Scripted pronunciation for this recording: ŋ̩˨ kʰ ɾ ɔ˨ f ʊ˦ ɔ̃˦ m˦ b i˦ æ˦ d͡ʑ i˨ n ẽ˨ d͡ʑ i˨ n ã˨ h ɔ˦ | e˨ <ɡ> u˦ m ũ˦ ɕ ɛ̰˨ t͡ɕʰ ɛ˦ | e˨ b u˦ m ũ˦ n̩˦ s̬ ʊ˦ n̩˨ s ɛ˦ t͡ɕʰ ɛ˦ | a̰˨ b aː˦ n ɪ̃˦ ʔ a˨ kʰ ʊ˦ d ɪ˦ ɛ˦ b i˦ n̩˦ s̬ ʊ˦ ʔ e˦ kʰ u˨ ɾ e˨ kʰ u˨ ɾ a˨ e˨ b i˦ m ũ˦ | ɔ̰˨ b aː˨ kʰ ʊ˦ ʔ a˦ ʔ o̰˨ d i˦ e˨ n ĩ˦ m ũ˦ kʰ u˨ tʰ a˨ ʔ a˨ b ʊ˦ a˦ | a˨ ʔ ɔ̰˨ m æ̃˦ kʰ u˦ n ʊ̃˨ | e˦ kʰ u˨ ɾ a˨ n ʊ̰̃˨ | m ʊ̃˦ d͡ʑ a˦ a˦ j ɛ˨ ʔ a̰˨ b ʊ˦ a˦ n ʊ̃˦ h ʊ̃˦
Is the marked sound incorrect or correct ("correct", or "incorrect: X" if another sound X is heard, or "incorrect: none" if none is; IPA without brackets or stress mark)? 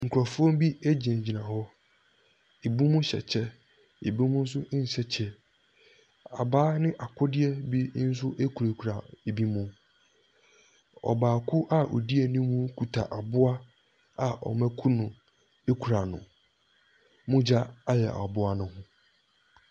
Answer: incorrect: b